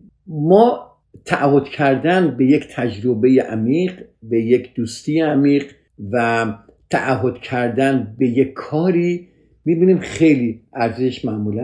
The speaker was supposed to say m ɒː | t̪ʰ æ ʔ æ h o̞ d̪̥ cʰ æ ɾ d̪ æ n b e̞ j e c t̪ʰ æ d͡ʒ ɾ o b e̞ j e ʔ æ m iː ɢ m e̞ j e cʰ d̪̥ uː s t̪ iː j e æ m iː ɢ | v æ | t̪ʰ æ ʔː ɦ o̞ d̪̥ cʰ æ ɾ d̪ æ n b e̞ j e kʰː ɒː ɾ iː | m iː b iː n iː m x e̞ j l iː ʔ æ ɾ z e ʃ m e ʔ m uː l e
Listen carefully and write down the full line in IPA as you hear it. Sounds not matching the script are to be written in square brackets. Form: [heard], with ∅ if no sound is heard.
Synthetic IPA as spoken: m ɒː | t̪ʰ æ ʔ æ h o̞ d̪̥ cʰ æ ɾ d̪ æ n b e̞ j e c t̪ʰ æ d͡ʒ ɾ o b e̞ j e ʔ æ m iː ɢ [b] e̞ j e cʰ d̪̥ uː s t̪ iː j e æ m iː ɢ | v æ | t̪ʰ æ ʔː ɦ o̞ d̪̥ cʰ æ ɾ d̪ æ n b e̞ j e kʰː ɒː ɾ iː | m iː b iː n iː m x e̞ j l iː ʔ æ ɾ z e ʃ m [æ] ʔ m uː l [æ]